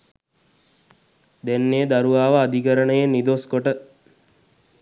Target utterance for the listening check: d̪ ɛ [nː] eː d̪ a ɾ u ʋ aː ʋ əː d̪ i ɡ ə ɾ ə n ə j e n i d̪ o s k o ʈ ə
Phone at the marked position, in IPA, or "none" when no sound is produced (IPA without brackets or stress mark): nː